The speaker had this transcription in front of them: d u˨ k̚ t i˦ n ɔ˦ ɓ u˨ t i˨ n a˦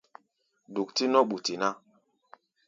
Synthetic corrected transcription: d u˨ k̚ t i˦ n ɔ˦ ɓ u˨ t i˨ n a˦